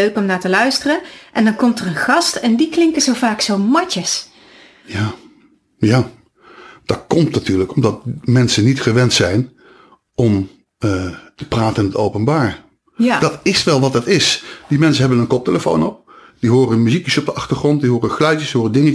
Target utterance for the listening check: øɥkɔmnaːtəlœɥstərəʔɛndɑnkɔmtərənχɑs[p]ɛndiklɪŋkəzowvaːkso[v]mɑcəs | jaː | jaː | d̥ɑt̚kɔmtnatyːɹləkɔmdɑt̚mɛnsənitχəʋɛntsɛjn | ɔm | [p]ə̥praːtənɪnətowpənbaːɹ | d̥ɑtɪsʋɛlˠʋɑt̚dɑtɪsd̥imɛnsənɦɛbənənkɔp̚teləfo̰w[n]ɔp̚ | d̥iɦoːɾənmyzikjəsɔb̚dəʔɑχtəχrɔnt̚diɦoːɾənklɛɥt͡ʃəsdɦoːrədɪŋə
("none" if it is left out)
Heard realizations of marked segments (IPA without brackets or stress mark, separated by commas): t, w, t, n